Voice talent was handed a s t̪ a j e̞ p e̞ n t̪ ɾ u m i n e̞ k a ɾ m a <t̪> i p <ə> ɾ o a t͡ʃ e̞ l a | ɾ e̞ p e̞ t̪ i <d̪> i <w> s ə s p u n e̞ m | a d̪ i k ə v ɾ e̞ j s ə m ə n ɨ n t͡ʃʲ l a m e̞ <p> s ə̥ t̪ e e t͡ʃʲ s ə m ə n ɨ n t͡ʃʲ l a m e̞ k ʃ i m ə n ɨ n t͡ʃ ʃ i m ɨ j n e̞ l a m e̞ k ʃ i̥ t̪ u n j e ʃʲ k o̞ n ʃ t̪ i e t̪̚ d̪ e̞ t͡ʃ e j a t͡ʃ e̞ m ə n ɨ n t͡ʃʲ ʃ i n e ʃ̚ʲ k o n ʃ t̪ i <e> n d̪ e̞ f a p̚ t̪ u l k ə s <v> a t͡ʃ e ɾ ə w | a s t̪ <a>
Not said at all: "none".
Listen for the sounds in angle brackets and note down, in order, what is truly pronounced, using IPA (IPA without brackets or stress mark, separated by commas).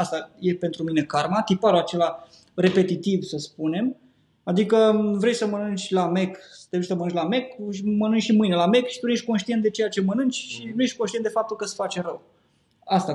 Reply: t̪, a, t̪, v, k, e, f, a